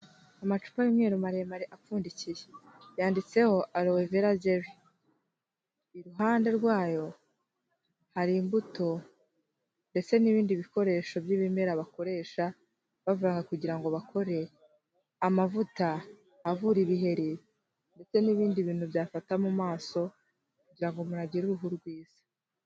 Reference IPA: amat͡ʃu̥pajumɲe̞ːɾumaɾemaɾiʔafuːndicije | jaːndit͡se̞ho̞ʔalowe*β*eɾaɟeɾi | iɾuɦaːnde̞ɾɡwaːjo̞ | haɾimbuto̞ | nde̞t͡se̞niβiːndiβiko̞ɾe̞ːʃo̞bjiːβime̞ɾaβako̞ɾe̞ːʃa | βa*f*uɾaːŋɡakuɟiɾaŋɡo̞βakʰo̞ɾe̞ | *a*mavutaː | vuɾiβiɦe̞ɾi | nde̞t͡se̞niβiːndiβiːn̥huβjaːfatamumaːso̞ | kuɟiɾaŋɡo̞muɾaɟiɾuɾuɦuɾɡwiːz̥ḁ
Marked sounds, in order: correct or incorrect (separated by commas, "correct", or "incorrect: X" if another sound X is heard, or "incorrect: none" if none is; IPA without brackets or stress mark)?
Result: incorrect: v, incorrect: v, correct